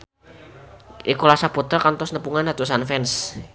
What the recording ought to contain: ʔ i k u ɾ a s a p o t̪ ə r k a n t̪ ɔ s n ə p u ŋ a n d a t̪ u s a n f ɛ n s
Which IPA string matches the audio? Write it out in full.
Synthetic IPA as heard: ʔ i k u l a s a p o t̪ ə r k a n t̪ ɔ s n ə p u ŋ a n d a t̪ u s a n f ɛ n s